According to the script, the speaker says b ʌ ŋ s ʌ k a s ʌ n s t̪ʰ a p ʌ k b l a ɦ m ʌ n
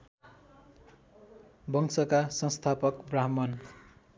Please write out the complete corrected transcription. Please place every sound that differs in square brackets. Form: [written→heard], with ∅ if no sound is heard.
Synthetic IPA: b ʌ ŋ s ʌ k a s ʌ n s t̪ʰ a p ʌ k b [l→r] a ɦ m ʌ n